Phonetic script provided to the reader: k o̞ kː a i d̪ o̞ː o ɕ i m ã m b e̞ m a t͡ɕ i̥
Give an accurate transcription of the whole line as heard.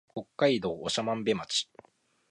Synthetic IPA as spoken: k o̞ kː a i d̪ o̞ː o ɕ a m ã m b e̞ m a t͡ɕ i̥